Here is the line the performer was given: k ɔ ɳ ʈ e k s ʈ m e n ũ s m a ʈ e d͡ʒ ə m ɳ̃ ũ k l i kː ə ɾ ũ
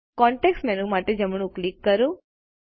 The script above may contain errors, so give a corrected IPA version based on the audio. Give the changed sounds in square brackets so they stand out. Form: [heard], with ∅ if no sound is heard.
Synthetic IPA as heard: k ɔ ɳ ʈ e k s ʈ m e n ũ [∅] m a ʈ e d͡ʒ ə m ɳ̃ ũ k l i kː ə ɾ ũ